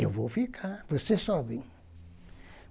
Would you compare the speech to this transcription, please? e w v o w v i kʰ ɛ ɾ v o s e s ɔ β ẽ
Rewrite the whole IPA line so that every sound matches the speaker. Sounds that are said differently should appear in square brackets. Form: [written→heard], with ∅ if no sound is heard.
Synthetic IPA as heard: e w v o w [v→f] i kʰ [ɛ→a] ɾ v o s e s ɔ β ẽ

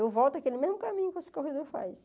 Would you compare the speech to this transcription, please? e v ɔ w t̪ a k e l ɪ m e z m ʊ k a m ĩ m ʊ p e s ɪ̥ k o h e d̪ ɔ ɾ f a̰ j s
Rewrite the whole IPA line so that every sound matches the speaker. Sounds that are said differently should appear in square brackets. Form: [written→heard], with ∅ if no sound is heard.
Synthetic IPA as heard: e v ɔ w t̪ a k e l ɪ m e z m ʊ k a m ĩ [m→ɲ] ʊ [p→k] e s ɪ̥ k o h e d̪ [ɔ→o] ɾ f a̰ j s

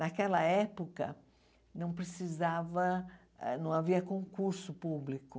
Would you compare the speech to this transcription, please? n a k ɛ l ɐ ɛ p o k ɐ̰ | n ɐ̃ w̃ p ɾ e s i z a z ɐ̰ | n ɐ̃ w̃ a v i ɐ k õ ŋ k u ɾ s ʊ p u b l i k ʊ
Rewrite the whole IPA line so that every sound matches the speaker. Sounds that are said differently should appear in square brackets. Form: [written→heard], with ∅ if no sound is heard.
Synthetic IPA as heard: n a k ɛ l ɐ ɛ p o k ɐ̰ | n ɐ̃ w̃ p ɾ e s i z a [z→v] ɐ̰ | n ɐ̃ w̃ a v i ɐ k õ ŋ k u ɾ s ʊ p u b l i k ʊ

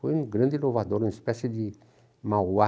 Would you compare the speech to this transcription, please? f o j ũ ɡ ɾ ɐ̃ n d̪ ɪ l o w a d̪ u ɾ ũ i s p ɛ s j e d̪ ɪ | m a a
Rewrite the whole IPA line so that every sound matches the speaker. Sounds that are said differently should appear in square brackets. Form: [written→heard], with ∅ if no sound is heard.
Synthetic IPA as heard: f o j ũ ɡ ɾ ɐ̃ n d̪ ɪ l o [w→v] a d̪ [u→o] ɾ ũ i s p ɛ s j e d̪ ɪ | m a a

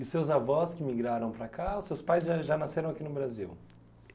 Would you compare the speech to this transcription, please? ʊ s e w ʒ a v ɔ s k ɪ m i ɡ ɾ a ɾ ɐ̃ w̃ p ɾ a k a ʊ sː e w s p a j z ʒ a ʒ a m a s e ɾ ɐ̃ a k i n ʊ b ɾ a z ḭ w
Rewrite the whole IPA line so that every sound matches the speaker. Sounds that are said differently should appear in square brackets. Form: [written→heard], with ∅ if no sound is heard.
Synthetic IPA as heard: ʊ s e w [ʒ→z] a v ɔ s k ɪ m i ɡ ɾ a ɾ ɐ̃ w̃ p ɾ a k a ʊ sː e w s p a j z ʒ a ʒ a [m→n] a s e ɾ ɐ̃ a k i n ʊ b ɾ a z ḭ w

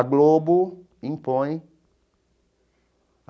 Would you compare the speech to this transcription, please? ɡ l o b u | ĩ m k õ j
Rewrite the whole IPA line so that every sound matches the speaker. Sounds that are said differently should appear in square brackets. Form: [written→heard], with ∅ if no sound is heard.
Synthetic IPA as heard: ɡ l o b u | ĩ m [k→p] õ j

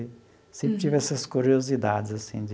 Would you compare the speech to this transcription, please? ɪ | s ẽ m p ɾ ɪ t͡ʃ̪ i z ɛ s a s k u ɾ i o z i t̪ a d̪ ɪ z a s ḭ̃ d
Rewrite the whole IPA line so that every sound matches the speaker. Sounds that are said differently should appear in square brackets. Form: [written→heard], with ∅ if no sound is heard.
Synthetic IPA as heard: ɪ | s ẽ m p ɾ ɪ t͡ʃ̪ i [z→v] ɛ s [a→ɐ] s k u ɾ i o z i [t̪→d̪] a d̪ ɪ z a s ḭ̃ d

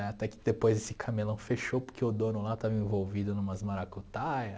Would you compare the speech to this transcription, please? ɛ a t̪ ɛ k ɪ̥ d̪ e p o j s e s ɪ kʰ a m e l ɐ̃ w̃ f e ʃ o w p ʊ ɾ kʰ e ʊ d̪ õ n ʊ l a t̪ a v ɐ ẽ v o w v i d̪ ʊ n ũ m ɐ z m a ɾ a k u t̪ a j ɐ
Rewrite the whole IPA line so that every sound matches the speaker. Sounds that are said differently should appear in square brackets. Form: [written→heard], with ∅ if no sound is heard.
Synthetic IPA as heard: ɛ a t̪ ɛ k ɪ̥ d̪ e p o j [s→z] e s ɪ kʰ a m e l ɐ̃ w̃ f e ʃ o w p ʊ ɾ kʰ e ʊ d̪ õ n ʊ l a t̪ a v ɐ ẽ v o w v i d̪ ʊ n ũ m ɐ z m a ɾ a k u t̪ a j ɐ

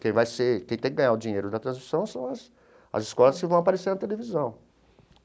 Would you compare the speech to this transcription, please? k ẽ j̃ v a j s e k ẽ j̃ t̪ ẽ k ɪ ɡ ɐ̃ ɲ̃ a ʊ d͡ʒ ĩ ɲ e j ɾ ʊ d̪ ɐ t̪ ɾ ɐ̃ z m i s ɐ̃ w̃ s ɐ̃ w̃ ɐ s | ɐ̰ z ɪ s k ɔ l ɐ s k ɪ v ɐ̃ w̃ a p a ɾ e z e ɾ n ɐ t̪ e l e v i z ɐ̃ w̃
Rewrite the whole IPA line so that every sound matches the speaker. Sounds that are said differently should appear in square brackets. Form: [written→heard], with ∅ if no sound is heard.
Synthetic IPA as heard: k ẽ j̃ v a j s e k ẽ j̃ t̪ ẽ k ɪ ɡ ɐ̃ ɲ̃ a ʊ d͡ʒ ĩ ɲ e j ɾ ʊ d̪ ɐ t̪ ɾ ɐ̃ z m i s ɐ̃ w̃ s ɐ̃ w̃ ɐ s | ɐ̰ z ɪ s k ɔ l ɐ s k ɪ v ɐ̃ w̃ a p a ɾ e [z→s] e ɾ n ɐ t̪ e l e v i z ɐ̃ w̃

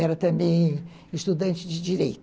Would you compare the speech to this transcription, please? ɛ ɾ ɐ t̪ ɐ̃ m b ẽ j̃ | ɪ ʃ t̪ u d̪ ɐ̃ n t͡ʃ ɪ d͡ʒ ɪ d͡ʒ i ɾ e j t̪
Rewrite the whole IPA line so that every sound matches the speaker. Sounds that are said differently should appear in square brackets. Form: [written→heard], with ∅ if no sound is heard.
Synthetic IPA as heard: ɛ ɾ ɐ t̪ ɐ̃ m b ẽ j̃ | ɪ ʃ t̪ u d̪ ɐ̃ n t͡ʃ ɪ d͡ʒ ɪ d͡ʒ i ɾ e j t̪

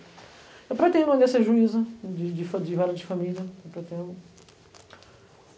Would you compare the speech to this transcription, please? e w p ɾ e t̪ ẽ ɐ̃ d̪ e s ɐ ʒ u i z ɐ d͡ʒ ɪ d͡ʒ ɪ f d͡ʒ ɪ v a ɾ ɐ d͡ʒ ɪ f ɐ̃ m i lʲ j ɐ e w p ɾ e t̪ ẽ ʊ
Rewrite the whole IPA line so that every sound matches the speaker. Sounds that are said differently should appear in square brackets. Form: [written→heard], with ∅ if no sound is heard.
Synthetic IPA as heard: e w p ɾ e t̪ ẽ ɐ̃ d̪ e s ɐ ʒ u i z ɐ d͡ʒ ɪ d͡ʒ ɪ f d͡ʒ ɪ v a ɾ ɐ d͡ʒ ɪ f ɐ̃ m i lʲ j ɐ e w p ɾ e t̪ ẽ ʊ

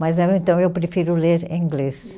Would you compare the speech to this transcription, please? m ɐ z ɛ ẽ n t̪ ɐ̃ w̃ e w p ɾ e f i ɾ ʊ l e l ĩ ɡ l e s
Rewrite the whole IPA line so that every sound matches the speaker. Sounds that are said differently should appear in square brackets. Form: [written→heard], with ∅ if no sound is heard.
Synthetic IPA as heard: m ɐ z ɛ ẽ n t̪ ɐ̃ w̃ e w p ɾ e f i ɾ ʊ l e [l→ɾ] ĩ ɡ l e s

